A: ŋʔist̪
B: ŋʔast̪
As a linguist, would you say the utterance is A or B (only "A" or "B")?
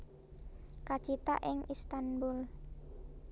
A